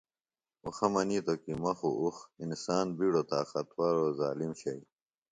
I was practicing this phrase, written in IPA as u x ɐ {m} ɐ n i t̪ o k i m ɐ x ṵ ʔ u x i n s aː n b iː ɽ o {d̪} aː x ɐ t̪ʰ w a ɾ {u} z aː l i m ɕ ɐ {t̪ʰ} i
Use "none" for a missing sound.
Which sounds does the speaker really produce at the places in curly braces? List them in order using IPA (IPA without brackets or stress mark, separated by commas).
m, t̪, o, none